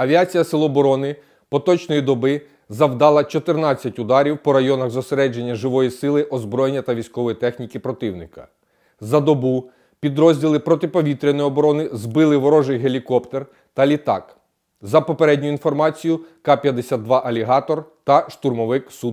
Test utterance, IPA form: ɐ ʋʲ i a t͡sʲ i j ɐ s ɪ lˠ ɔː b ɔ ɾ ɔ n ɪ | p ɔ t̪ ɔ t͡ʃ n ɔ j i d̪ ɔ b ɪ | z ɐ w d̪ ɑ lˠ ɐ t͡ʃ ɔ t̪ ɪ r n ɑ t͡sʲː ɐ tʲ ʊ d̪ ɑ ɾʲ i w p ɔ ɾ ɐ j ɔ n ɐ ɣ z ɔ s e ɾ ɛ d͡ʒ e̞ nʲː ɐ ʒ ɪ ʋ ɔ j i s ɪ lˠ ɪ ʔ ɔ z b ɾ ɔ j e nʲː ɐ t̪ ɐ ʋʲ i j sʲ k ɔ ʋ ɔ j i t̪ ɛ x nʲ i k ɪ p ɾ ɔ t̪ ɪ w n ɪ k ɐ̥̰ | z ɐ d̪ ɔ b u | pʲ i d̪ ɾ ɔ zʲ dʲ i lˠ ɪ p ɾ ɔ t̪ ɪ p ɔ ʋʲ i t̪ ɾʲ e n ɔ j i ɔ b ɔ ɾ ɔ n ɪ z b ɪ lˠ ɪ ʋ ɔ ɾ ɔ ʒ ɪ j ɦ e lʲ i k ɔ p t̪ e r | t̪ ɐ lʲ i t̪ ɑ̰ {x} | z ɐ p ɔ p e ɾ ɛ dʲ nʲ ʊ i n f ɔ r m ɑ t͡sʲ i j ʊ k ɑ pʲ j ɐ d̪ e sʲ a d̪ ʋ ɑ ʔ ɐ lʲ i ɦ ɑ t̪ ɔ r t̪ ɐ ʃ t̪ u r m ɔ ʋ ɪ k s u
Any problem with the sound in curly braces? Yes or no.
yes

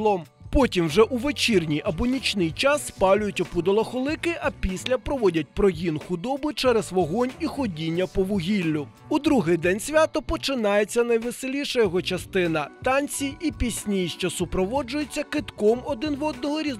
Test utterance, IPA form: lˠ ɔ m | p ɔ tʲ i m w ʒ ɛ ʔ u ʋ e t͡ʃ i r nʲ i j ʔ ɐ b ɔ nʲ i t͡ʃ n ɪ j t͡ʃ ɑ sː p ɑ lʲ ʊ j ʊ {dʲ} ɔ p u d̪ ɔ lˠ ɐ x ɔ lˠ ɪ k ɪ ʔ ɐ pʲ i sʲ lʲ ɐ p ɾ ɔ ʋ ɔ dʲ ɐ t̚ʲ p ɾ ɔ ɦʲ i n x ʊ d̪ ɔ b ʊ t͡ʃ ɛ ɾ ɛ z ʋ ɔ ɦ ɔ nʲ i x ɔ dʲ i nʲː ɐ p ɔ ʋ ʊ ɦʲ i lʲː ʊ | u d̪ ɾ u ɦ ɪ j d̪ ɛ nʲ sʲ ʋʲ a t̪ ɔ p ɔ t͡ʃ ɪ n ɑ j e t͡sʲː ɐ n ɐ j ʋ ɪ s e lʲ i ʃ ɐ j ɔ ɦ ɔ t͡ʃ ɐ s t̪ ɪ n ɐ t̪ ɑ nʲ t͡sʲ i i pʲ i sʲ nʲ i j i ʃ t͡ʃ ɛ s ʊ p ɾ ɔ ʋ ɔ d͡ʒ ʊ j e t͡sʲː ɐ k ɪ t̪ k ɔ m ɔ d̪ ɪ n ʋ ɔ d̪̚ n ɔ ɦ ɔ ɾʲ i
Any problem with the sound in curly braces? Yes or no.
yes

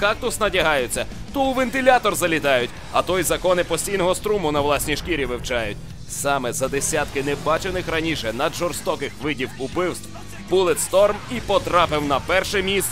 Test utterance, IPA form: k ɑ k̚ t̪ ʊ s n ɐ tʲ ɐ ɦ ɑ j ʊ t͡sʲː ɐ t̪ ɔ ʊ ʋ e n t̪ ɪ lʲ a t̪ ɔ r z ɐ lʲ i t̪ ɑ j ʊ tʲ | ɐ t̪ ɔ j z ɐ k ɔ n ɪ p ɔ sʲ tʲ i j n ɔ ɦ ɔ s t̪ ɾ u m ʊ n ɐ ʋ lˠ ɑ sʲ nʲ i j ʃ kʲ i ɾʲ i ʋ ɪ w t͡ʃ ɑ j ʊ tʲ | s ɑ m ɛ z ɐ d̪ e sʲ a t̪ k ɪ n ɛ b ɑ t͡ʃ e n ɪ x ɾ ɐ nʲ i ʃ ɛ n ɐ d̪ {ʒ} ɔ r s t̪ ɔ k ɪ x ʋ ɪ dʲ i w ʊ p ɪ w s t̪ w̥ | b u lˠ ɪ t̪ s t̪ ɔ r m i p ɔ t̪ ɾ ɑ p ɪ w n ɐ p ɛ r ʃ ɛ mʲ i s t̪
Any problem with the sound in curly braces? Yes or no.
no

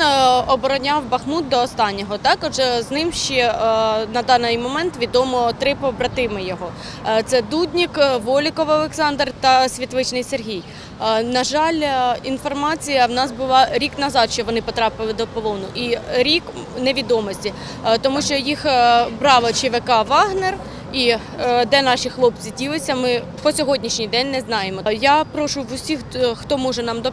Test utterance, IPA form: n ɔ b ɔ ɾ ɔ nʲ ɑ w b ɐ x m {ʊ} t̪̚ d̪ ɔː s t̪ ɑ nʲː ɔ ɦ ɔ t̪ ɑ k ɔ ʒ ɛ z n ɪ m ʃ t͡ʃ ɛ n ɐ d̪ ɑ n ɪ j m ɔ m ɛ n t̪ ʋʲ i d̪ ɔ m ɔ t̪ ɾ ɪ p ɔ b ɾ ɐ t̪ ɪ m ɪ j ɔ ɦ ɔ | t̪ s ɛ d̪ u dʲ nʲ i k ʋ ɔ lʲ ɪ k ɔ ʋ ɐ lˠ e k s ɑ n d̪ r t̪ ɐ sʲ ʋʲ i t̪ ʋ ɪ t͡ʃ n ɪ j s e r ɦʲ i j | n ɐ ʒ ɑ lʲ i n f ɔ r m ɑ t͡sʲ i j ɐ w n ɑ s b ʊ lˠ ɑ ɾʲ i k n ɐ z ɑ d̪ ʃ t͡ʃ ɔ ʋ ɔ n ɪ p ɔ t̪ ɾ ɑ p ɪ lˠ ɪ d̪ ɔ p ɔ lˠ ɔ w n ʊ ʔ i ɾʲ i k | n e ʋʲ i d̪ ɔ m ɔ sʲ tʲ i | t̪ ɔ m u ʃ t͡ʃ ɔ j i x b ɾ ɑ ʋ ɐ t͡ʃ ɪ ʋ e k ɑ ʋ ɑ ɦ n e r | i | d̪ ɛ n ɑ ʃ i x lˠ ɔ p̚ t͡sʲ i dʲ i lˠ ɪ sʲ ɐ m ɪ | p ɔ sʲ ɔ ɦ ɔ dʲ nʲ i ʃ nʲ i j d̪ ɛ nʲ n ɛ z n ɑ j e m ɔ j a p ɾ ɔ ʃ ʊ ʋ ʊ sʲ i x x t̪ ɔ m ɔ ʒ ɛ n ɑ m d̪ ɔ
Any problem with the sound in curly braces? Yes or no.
yes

